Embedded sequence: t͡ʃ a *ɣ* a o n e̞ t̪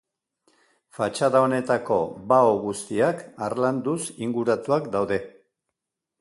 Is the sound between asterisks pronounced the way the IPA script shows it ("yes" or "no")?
no